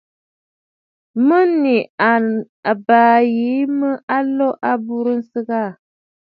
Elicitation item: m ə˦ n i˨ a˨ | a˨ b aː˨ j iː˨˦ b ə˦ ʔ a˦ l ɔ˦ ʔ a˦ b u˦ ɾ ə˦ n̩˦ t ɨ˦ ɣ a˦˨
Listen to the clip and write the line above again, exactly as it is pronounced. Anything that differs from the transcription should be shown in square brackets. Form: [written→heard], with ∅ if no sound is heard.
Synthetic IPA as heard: m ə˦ n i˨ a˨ | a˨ b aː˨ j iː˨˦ [b→m] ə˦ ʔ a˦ l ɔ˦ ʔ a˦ b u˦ ɾ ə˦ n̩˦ [t→s] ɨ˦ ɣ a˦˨